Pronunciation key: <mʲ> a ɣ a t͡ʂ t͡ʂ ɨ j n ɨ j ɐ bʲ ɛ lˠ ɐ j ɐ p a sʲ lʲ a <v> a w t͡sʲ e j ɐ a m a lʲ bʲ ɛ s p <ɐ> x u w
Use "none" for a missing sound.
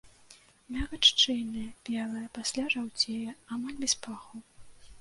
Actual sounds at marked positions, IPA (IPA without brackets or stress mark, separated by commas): mʲ, ʐ, a